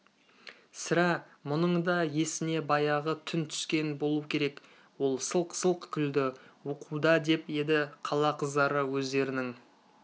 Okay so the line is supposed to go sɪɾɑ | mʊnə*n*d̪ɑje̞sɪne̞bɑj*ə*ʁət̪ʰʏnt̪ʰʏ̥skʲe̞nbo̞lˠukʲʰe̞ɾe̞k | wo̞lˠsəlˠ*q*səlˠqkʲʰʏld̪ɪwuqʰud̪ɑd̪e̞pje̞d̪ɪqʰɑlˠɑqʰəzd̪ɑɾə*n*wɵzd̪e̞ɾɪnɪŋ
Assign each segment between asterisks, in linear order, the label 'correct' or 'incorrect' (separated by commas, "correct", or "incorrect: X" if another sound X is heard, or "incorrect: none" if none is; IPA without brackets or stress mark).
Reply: incorrect: ɴ, incorrect: ɑ, correct, incorrect: none